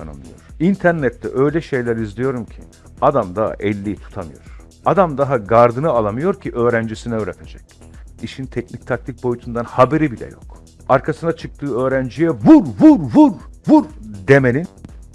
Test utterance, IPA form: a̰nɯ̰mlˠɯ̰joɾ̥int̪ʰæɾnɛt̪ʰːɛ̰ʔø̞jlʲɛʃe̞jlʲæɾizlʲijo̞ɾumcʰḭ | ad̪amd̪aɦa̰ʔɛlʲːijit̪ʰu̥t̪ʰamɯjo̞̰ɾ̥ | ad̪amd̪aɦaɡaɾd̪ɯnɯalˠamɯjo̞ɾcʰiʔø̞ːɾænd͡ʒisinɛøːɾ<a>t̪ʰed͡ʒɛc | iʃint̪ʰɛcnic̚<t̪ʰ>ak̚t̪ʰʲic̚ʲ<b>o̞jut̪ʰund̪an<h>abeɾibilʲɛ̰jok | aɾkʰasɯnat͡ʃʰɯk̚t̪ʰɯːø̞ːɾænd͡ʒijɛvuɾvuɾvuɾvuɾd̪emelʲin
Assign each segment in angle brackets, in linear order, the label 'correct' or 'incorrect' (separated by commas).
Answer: incorrect, correct, correct, correct